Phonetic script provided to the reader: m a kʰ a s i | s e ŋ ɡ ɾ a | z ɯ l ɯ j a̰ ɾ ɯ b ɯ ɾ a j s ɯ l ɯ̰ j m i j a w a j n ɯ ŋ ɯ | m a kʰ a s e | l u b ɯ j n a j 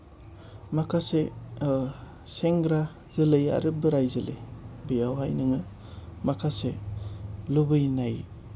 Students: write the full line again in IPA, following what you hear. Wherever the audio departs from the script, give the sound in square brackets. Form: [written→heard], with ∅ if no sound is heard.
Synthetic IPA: m a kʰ a s [i→e] | s e ŋ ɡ ɾ a | z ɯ l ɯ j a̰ ɾ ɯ b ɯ ɾ a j [s→z] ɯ l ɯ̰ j [m→b] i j a w a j n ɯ ŋ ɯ | m a kʰ a s e | l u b ɯ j n a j